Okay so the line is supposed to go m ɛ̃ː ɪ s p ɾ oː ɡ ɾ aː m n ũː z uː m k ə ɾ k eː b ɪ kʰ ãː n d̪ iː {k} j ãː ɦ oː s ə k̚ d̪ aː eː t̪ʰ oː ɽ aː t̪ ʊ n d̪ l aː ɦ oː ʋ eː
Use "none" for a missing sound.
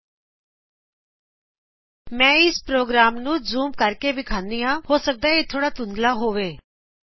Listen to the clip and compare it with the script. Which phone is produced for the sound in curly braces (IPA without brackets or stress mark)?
none